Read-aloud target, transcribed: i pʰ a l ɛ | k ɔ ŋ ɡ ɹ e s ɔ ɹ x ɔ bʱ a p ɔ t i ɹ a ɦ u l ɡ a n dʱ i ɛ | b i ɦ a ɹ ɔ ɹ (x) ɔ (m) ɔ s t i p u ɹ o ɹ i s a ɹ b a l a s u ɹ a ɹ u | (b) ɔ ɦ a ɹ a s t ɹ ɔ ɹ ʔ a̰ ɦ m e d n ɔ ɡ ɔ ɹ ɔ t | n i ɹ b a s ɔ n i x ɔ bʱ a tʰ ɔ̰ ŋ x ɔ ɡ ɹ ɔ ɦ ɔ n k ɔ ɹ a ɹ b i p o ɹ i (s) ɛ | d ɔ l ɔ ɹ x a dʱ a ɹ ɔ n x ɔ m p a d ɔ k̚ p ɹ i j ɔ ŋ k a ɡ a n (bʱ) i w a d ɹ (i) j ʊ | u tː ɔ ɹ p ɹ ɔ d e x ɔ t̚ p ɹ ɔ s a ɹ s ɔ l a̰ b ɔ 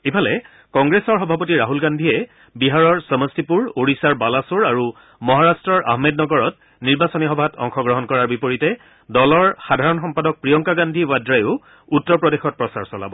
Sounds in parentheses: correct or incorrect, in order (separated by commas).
incorrect, correct, incorrect, incorrect, incorrect, incorrect